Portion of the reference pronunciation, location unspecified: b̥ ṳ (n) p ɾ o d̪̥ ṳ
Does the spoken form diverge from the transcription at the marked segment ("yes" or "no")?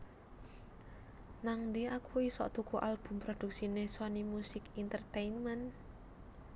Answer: yes